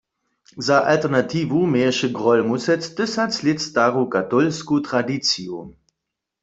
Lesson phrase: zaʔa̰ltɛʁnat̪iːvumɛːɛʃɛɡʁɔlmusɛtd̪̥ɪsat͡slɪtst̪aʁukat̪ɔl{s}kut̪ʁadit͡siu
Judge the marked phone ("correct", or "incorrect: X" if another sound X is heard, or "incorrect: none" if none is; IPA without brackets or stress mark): correct